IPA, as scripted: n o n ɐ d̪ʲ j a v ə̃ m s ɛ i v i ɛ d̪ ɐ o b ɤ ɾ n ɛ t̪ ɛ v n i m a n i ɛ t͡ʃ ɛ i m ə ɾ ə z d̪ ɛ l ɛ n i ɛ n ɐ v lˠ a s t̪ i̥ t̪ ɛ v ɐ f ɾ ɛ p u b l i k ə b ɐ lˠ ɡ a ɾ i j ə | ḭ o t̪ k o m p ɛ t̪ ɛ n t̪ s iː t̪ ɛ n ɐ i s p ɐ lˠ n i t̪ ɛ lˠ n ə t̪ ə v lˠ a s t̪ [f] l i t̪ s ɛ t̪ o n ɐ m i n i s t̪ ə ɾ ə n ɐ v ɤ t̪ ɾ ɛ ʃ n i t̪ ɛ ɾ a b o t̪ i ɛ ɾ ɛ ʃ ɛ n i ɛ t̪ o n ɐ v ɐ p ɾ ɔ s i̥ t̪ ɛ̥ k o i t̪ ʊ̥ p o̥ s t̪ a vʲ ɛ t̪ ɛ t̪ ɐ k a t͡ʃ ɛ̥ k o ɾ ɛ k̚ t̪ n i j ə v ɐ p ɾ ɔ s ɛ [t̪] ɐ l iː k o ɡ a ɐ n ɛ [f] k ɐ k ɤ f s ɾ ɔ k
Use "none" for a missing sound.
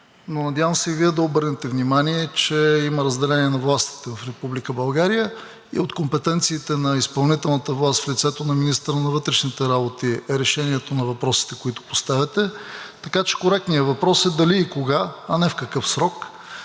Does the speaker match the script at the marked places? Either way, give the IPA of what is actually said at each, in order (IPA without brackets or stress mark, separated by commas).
f, d̪, f